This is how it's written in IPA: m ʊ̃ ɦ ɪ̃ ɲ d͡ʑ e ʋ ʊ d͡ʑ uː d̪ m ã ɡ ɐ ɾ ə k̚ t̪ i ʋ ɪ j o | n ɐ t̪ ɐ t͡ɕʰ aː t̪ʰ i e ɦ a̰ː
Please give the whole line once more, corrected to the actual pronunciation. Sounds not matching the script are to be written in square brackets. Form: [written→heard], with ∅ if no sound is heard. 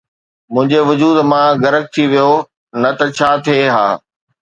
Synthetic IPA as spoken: m ʊ̃ ɦ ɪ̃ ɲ d͡ʑ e ʋ ʊ d͡ʑ uː d̪ m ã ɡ ɐ ɾ ə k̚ [t̪→t̪ʰ] i ʋ [ɪ→i] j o | n ɐ t̪ ɐ t͡ɕʰ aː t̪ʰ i e ɦ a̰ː